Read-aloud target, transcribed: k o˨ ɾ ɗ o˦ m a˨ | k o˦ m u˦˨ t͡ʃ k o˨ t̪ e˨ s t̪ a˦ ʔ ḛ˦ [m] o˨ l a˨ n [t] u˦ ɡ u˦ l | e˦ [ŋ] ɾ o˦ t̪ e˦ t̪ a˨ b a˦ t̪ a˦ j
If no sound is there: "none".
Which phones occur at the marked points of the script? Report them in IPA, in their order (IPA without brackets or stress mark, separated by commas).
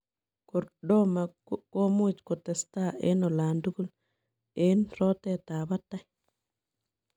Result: n, d, n